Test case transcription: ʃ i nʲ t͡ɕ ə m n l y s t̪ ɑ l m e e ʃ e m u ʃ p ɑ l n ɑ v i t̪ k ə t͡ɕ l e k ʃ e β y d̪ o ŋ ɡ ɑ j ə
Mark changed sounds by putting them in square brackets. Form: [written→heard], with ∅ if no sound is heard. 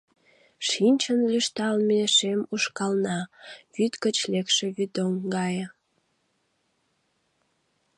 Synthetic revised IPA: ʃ i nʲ t͡ɕ ə [m→∅] n l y [s→ʃ] t̪ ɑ l m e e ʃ e m u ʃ [p→k] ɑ l n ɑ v [i→y] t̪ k ə t͡ɕ l e k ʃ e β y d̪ o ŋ ɡ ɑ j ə